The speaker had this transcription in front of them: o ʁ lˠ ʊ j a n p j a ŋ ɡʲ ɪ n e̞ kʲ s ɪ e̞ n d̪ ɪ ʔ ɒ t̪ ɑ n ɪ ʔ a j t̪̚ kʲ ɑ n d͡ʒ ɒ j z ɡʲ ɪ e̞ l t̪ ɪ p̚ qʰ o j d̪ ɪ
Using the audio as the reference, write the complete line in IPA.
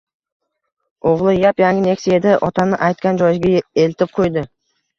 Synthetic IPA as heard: o ʁ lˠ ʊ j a p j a ŋ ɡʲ ɪ n e̞ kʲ s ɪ e̞ d̪ ɪ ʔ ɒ t̪ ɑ n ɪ ʔ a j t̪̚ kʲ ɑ n d͡ʒ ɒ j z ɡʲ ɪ e̞ l t̪ ɪ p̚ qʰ o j d̪ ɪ